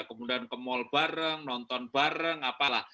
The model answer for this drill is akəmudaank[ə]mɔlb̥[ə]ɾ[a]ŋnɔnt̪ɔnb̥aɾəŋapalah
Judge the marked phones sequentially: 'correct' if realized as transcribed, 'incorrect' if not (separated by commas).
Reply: correct, incorrect, incorrect